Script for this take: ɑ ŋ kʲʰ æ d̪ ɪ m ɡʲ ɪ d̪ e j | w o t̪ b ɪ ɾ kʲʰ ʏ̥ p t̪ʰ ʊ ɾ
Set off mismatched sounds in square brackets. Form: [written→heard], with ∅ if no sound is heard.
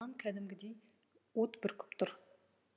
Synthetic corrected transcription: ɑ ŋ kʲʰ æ d̪ ɪ m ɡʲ ɪ d̪ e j | w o t̪ b ɪ ɾ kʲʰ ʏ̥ p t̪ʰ ʊ ɾ

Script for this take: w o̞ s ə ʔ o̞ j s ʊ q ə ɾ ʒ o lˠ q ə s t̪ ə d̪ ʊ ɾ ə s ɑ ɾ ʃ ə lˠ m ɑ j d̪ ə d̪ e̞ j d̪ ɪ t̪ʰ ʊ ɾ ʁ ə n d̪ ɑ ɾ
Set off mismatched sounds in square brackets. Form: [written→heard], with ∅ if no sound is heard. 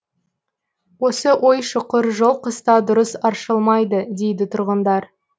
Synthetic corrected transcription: w o̞ s ə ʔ o̞ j [s→ʃ] ʊ q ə ɾ ʒ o lˠ q ə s t̪ [ə→ɑ] d̪ ʊ ɾ ə s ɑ ɾ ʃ ə lˠ m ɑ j d̪ ə d̪ e̞ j d̪ ɪ t̪ʰ ʊ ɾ ʁ ə n d̪ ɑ ɾ

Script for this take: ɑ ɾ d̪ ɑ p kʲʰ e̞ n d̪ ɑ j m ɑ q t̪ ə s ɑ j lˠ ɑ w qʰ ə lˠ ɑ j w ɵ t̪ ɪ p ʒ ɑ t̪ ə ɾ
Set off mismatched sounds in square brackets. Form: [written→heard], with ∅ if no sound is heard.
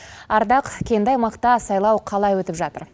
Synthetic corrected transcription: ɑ ɾ d̪ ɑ [p→q] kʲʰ e̞ n d̪ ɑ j m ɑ q t̪ [ə→ɑ] s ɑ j lˠ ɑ w qʰ [ə→ɑ] lˠ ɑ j w ɵ t̪ ɪ p ʒ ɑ t̪ ə ɾ

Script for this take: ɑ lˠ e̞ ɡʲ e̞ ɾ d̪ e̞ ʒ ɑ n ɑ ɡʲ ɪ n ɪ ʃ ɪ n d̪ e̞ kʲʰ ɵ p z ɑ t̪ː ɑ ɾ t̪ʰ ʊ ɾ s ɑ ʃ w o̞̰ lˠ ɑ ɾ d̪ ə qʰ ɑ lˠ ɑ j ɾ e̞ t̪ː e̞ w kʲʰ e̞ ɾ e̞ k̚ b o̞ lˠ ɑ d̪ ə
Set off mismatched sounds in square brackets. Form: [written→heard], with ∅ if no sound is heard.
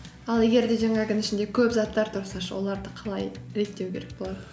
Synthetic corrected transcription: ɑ lˠ e̞ ɡʲ e̞ ɾ d̪ e̞ ʒ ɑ [n→ŋ] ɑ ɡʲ ɪ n ɪ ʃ ɪ n d̪ e̞ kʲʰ ɵ p z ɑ t̪ː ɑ ɾ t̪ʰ ʊ ɾ s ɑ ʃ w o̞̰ lˠ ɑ ɾ d̪ ə qʰ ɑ lˠ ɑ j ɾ e̞ t̪ː e̞ w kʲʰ e̞ ɾ e̞ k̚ b o̞ lˠ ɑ d̪ ə

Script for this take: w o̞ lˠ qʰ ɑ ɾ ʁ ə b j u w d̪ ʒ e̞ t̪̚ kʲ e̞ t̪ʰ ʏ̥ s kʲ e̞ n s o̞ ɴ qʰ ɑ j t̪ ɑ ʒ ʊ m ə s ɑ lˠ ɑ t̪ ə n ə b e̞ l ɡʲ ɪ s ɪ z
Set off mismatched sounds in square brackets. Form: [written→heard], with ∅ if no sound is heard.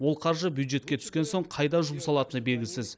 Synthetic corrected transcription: w o̞ lˠ qʰ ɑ ɾ [ʁ→ʒ] ə b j u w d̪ ʒ e̞ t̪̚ kʲ e̞ t̪ʰ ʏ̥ s kʲ e̞ n s o̞ ɴ qʰ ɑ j [t̪→d̪] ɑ ʒ ʊ m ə s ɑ lˠ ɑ t̪ ə n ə b e̞ l ɡʲ ɪ s ɪ z

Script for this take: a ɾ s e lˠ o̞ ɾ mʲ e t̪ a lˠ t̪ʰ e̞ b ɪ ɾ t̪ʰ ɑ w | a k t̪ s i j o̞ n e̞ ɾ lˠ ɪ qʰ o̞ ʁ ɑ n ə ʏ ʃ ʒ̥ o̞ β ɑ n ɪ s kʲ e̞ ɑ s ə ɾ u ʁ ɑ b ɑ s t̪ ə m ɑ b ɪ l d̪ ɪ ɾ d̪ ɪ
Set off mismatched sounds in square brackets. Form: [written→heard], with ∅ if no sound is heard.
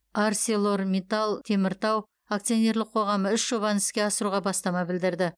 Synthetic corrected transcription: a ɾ s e lˠ o̞ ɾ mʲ e t̪ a lˠ t̪ʰ e̞ [b→m] ɪ ɾ [t̪ʰ→t̪] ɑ w | a k t̪ s i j o̞ n e̞ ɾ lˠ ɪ qʰ o̞ ʁ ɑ [n→m] ə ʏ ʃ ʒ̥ o̞ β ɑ n ɪ s kʲ e̞ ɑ s ə ɾ u ʁ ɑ b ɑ s t̪ [ə→ɑ] m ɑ b ɪ l d̪ ɪ ɾ d̪ ɪ

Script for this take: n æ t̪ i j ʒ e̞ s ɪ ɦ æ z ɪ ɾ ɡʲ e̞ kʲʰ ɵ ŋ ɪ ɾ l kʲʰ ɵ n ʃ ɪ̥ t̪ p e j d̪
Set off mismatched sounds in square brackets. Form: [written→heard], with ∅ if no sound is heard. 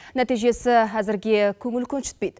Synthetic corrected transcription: n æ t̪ i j ʒ e̞ s ɪ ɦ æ z ɪ ɾ ɡʲ e̞ kʲʰ ɵ ŋ ɪ [ɾ→∅] l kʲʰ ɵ n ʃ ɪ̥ t̪ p e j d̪

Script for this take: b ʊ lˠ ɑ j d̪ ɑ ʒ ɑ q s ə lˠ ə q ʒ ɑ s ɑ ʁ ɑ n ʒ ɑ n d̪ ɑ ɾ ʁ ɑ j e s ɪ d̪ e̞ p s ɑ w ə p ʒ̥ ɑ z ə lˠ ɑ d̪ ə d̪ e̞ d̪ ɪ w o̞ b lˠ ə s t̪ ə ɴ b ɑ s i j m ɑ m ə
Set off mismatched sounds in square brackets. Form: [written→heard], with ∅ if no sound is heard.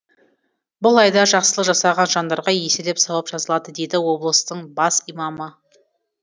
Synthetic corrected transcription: b ʊ lˠ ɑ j d̪ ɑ ʒ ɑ q s ə lˠ ə q ʒ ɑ s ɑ ʁ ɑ n ʒ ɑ n d̪ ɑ ɾ ʁ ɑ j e s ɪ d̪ e̞ p s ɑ w [ə→ɑ] p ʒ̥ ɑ z ə lˠ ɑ d̪ ə d̪ e̞ d̪ ɪ w o̞ b lˠ ə s t̪ ə ɴ b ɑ s i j m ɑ m ə

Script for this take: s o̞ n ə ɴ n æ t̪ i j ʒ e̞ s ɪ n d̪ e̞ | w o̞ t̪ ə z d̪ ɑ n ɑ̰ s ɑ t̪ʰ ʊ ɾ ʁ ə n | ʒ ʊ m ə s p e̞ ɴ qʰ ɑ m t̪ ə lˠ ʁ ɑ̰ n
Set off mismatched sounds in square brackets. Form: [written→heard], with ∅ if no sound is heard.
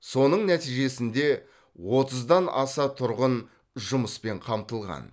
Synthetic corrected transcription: s o̞ n ə ɴ n æ t̪ i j ʒ e̞ s ɪ n d̪ e̞ | w o̞ t̪ ə z d̪ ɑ n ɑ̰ s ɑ t̪ʰ ʊ ɾ ʁ ə n | ʒ ʊ m ə s p e̞ ɴ qʰ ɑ m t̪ ə lˠ ʁ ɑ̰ n

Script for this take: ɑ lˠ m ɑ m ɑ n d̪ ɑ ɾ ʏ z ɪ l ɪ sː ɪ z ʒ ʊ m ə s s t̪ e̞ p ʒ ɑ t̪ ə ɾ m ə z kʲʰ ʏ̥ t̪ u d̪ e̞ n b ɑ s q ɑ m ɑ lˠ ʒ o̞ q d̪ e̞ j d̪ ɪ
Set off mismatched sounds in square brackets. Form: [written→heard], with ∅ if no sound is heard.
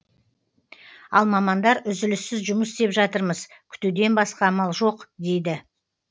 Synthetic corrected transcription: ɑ lˠ m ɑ m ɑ n d̪ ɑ ɾ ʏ z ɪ l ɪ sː ɪ z ʒ ʊ m ə s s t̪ e̞ p ʒ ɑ t̪ ə ɾ m ə z kʲʰ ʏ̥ t̪ u d̪ e̞ n b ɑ s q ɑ m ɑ lˠ ʒ o̞ q d̪ e̞ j d̪ ɪ

